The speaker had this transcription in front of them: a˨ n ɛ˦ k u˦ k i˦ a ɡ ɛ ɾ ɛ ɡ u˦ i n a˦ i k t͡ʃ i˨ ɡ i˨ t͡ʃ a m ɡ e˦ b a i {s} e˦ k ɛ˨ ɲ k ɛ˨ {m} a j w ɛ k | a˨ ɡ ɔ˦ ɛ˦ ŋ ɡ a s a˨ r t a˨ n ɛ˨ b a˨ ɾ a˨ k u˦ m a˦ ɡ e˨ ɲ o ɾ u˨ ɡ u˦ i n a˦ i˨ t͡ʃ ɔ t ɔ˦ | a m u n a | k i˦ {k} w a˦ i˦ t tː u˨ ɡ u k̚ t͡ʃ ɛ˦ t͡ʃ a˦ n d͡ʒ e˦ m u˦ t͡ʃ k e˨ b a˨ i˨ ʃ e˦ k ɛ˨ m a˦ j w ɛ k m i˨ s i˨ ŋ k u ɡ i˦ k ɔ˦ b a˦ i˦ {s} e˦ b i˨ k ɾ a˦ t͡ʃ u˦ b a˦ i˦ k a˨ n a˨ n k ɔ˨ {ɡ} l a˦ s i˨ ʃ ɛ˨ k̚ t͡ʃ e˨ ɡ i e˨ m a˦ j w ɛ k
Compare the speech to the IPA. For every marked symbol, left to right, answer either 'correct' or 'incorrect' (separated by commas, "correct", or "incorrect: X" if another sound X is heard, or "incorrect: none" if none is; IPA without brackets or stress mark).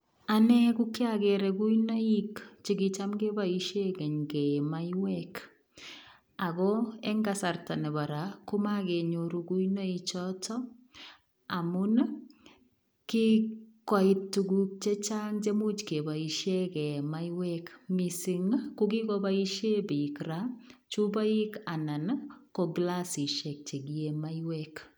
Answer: incorrect: ʃ, correct, correct, incorrect: ʃ, correct